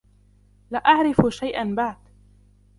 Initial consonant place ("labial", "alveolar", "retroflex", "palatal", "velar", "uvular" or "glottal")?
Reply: alveolar